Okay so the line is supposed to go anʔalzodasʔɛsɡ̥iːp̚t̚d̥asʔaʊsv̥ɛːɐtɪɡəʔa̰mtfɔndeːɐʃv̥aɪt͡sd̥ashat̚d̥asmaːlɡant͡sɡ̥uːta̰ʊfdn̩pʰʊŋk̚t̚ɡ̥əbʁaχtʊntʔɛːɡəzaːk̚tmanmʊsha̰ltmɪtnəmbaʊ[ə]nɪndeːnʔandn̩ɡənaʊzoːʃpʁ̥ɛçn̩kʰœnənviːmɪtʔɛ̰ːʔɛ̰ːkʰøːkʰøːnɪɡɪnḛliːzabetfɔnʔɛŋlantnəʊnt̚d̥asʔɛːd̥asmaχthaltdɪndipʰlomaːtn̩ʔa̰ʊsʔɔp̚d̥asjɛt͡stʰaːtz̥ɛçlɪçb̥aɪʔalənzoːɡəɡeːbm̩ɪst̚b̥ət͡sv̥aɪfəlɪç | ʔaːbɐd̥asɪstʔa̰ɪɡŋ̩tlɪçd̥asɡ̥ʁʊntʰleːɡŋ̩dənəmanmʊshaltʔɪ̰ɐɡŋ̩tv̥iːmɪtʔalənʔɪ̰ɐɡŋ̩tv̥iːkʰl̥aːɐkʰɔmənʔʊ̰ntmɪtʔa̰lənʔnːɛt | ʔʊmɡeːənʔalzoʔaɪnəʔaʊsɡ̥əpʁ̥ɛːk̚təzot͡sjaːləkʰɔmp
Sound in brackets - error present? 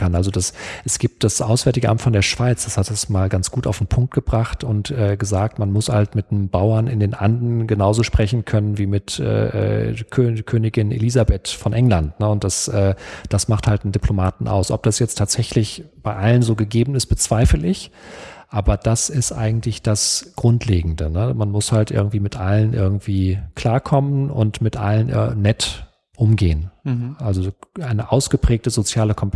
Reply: yes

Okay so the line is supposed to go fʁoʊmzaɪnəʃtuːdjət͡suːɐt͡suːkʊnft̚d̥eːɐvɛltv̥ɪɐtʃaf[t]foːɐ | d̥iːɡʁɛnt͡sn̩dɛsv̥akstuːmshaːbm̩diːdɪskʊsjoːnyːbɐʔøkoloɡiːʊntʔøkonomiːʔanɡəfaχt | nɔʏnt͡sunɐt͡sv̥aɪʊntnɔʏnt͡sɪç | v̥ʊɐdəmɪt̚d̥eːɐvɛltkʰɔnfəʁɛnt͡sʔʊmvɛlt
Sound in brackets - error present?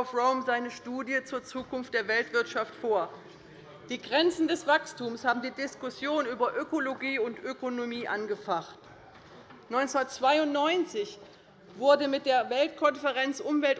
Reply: no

